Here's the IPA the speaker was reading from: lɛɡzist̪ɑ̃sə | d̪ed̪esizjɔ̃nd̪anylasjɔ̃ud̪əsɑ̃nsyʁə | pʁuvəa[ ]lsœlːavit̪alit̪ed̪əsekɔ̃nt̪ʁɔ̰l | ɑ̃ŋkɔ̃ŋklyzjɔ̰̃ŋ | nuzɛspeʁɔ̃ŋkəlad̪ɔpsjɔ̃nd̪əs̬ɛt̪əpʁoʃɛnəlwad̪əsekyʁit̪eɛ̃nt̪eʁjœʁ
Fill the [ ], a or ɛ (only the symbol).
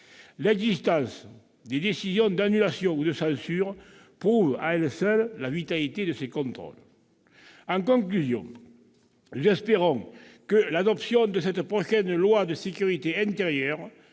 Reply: ɛ